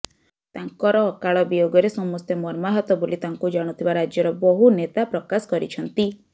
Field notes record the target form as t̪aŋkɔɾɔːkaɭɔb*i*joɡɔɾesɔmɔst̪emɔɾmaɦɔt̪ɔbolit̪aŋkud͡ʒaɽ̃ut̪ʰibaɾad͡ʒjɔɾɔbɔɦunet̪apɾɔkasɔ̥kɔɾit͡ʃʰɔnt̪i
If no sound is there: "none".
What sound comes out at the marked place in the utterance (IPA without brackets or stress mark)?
i